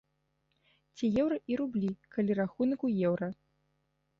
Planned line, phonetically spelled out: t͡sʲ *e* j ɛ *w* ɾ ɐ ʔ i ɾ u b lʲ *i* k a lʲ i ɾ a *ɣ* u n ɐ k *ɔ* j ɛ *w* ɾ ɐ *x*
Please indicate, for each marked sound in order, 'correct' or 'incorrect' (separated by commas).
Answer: incorrect, correct, correct, incorrect, incorrect, correct, incorrect